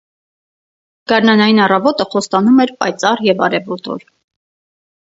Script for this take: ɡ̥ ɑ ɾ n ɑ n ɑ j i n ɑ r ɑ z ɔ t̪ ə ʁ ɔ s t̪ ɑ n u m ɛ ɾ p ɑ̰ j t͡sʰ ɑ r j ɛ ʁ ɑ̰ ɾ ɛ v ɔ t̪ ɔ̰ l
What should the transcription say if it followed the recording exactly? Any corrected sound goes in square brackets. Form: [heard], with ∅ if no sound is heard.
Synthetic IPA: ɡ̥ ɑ ɾ n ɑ n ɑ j i n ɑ r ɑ [v] ɔ t̪ ə [χ] ɔ s t̪ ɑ n u m ɛ ɾ p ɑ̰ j [t͡s] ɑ r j ɛ [v] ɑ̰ ɾ ɛ v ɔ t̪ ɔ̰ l